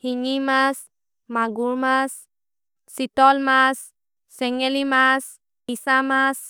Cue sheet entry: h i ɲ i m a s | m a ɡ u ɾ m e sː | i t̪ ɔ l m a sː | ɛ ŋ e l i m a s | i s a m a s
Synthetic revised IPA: h i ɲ i m a s | m a ɡ u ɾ m a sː | i t̪ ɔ l m a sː | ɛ ŋ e l i m a s | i s a m a s

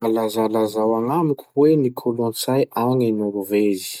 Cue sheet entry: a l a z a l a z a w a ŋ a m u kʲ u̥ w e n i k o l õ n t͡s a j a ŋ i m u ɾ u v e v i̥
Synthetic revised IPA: a l a z a l a z a w a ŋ a m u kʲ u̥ w e n i kʰ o l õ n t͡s a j a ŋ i n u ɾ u v e z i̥

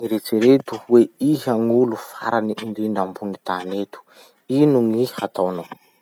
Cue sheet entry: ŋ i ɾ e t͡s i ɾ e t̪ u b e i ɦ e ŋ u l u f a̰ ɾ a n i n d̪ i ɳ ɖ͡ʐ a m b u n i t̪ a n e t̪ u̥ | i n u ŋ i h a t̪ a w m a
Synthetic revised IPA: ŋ i ɾ e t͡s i ɾ e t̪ u w e i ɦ a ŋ u l u f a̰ ɾ a n i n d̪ i ɳ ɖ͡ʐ a m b u n i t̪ a n e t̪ u̥ | i n u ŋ i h a t̪ a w n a

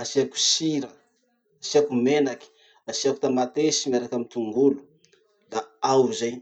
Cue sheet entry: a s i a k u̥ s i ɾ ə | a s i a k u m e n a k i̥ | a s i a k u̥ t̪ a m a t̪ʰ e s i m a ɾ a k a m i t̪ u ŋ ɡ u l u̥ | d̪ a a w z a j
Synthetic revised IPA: a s i a k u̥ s i ɾ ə | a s i a k u m e n a k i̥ | a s i a k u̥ t̪ a m a t̪ e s i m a ɾ a k a m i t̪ u ŋ ɡ u l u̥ | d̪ a a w z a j

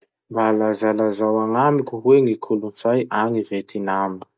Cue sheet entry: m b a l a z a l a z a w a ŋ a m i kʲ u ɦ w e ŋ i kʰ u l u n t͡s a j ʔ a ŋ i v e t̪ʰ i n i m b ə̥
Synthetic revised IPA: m b a l a z a l a z a w a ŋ a m i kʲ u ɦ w e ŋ i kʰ u l u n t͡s a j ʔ a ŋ i v e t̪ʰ i n a m b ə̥

